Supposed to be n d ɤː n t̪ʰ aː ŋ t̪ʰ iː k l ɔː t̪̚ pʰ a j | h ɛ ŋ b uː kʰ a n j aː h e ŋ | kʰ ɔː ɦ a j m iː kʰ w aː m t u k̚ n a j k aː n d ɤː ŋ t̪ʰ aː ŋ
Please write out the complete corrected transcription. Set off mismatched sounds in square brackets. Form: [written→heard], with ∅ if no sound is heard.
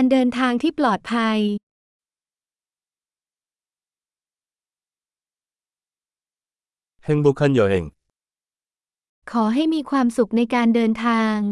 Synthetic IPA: n d ɤː n t̪ʰ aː ŋ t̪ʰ iː [k→p] l ɔː t̪̚ pʰ a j | h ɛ ŋ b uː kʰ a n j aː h e ŋ | kʰ ɔː ɦ a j m iː kʰ w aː m [t→s] u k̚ n a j k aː n d ɤː [ŋ→n] t̪ʰ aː ŋ